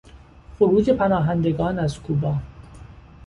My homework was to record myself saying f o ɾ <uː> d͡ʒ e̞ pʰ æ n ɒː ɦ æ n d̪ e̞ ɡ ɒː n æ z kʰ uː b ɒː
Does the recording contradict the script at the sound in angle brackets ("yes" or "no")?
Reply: no